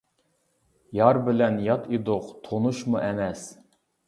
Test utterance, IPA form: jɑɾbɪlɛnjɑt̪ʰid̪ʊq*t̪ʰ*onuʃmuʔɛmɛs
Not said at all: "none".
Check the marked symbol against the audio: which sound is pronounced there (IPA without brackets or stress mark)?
t̪ʰ